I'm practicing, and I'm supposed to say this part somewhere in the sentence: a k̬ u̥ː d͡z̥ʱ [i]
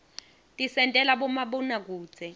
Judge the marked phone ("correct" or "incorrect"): incorrect